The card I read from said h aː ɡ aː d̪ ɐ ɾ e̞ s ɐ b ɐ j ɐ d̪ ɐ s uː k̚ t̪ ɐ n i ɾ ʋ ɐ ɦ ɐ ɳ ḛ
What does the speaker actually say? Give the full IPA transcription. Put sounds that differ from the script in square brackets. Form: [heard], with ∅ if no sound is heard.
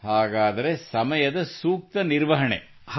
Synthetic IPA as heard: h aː ɡ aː d̪ ɐ ɾ e̞ s ɐ [m] ɐ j ɐ d̪ ɐ s uː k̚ t̪ ɐ n i ɾ ʋ ɐ ɦ ɐ ɳ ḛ